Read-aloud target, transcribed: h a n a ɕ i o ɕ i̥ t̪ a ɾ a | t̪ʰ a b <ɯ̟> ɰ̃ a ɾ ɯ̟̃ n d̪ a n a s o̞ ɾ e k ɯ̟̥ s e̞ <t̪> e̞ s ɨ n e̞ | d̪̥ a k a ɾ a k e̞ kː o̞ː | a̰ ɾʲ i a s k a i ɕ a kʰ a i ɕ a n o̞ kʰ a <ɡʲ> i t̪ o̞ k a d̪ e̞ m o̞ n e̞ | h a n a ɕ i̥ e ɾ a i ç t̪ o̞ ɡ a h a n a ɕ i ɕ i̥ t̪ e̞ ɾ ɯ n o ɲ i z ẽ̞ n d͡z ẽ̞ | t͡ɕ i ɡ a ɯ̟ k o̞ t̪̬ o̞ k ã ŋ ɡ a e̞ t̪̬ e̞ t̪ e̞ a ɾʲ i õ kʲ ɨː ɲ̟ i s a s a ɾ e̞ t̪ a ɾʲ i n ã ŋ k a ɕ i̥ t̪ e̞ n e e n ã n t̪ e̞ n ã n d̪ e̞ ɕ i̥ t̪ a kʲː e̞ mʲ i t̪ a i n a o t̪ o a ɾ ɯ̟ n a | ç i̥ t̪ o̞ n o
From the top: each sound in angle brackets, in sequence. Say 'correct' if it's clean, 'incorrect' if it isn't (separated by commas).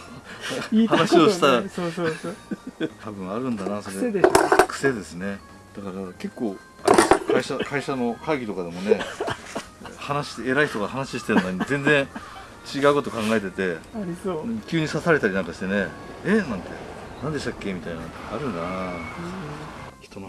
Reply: incorrect, incorrect, correct